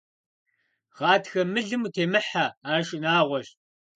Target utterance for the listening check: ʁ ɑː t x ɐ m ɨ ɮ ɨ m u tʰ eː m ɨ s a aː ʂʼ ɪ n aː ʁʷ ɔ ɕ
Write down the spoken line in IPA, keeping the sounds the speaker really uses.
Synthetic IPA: ʁ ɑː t x ɐ m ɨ ɮ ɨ m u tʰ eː m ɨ ħ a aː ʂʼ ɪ n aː ʁʷ ɔ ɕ